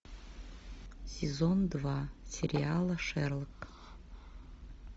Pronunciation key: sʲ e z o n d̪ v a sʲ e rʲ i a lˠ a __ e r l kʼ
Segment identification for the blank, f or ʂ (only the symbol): ʂ